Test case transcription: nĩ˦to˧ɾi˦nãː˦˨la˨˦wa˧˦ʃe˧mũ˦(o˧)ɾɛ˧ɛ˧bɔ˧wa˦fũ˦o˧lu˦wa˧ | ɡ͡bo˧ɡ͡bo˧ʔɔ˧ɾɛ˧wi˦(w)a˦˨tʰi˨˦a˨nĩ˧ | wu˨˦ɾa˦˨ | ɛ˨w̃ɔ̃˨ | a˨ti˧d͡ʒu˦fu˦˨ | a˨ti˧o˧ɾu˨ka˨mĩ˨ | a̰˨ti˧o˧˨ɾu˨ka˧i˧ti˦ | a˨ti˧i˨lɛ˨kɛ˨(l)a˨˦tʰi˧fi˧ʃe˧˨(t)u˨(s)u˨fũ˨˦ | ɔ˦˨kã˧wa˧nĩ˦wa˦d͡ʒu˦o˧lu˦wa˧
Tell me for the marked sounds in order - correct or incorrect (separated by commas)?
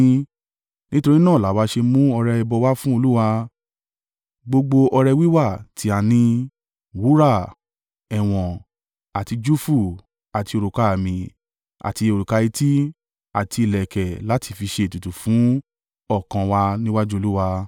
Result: incorrect, correct, correct, correct, incorrect